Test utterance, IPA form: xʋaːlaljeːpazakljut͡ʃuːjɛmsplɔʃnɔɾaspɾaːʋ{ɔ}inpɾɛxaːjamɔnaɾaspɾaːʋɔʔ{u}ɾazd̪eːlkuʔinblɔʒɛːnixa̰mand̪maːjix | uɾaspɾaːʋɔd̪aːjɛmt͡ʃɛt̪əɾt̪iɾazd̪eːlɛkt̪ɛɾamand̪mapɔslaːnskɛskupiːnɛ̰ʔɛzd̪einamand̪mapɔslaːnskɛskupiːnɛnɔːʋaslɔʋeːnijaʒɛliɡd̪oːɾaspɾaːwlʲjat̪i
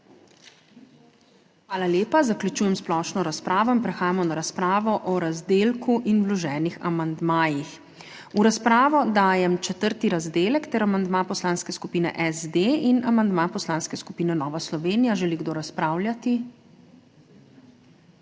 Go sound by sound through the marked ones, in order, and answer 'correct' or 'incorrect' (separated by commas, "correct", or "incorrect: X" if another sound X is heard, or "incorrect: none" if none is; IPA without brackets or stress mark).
correct, incorrect: ɔ